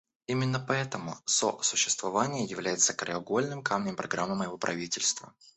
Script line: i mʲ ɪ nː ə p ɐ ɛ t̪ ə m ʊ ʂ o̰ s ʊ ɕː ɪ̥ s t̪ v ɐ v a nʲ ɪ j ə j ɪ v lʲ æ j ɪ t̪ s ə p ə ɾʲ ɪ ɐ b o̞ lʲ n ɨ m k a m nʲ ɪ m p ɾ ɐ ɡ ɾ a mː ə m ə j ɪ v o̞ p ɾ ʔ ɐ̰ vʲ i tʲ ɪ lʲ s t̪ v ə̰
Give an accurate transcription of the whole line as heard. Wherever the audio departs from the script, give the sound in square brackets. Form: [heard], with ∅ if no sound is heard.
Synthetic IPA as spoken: i mʲ ɪ nː ə p ɐ ɛ t̪ ə m ʊ [s] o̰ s ʊ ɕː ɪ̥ s t̪ v ɐ v a nʲ ɪ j ə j ɪ v lʲ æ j ɪ t̪ s ə [k] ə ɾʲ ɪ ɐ [ɡ] o̞ lʲ n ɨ m k a m nʲ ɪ m p ɾ ɐ ɡ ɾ a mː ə m ə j ɪ v o̞ p ɾ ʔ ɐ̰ vʲ i tʲ ɪ lʲ s t̪ v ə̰